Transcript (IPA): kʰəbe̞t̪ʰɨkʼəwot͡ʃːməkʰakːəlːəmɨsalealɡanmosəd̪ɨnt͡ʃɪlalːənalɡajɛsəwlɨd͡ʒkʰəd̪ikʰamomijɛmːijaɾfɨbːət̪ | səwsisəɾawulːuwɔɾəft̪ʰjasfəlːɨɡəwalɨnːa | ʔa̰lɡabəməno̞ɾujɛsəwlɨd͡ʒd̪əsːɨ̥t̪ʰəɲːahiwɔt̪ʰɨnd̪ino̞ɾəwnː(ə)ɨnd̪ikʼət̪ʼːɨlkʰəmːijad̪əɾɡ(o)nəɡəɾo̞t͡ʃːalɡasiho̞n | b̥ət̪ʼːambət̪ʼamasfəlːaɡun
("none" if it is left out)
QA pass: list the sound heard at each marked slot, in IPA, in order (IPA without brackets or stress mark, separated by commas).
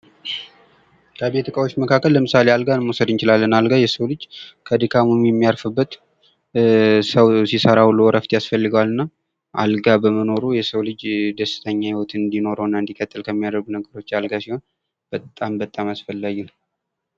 a, u